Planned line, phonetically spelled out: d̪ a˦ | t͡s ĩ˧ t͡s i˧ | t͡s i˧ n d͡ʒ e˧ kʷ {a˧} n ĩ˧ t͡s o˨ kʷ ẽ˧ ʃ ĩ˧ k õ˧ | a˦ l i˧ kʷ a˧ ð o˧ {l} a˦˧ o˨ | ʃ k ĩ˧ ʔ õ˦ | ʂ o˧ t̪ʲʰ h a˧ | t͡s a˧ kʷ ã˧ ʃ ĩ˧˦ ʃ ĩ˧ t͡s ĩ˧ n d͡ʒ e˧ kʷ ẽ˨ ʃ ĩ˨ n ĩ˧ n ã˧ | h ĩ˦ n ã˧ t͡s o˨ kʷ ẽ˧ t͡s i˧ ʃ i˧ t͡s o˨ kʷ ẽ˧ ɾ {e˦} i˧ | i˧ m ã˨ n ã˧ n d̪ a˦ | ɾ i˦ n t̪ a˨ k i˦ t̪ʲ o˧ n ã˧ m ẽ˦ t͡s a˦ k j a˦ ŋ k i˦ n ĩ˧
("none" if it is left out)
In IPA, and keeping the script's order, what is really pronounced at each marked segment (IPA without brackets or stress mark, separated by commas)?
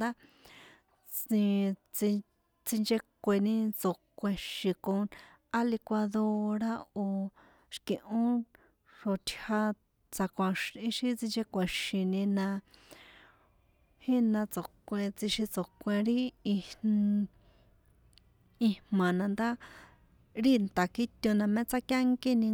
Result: e˧, ɾ, i˦